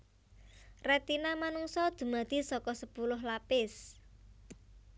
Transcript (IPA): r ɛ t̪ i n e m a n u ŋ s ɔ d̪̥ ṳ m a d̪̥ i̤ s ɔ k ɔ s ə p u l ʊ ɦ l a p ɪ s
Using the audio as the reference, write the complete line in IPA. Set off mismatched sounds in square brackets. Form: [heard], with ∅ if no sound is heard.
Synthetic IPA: r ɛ t̪ i n [a] m a n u ŋ s ɔ d̪̥ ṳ m a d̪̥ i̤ s ɔ k ɔ s ə p u l ʊ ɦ l a p ɪ s